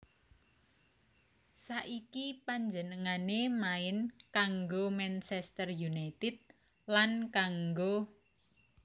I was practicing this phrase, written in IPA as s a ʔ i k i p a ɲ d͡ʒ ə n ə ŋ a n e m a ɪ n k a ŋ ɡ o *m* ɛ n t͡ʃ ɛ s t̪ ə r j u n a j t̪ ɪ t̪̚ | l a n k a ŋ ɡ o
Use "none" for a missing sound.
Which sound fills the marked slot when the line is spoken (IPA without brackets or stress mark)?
m